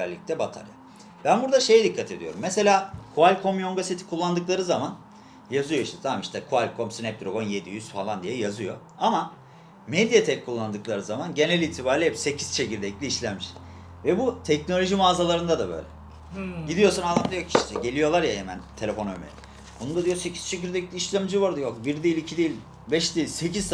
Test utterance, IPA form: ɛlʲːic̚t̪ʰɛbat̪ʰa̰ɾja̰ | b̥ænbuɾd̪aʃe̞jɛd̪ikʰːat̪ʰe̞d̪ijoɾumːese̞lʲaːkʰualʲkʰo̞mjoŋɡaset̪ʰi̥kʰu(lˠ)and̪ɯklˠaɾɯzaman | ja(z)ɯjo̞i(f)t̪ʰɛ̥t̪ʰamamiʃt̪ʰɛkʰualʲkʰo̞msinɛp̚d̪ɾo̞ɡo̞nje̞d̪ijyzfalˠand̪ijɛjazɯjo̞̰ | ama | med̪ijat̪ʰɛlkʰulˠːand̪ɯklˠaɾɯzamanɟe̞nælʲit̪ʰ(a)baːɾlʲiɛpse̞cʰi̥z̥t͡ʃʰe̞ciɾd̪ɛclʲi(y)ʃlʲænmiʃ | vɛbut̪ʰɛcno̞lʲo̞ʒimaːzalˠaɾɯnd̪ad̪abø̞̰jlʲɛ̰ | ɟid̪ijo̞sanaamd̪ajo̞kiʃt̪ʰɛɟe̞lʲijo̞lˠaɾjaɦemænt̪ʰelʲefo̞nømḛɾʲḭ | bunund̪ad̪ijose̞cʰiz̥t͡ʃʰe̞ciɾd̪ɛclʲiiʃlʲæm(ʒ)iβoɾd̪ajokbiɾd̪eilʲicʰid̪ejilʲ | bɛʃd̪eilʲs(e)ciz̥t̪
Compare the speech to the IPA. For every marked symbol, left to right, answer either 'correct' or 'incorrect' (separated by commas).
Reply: incorrect, correct, incorrect, incorrect, incorrect, incorrect, correct